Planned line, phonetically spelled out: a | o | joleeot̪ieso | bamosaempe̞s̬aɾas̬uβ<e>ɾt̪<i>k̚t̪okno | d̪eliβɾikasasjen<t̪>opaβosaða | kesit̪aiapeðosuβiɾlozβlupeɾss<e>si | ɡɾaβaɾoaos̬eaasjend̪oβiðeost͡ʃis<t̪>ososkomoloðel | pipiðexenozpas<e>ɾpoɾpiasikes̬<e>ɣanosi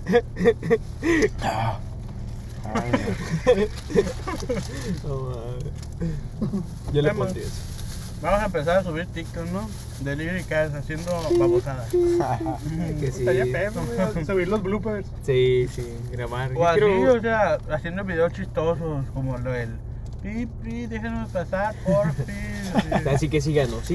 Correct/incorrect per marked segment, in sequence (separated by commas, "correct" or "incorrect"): incorrect, correct, incorrect, incorrect, correct, incorrect, incorrect